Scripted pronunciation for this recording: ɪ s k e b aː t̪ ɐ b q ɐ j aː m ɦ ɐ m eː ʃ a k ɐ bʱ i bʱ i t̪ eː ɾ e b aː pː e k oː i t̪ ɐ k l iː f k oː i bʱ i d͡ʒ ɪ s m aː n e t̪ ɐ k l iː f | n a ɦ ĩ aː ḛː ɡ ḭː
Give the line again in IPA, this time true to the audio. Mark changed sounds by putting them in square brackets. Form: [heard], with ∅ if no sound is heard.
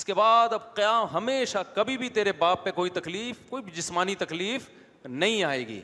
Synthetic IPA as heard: ɪ s k e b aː [d̪] ɐ b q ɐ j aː m ɦ ɐ m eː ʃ a k ɐ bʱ i bʱ i t̪ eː ɾ e b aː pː e k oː i t̪ ɐ k l iː f k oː i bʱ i d͡ʒ ɪ s m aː n [i] t̪ ɐ k l iː f | n [ɐ] ɦ ĩ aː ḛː ɡ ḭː